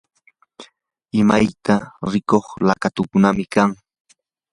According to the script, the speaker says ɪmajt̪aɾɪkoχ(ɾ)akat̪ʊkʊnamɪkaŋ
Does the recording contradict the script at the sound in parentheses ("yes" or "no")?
yes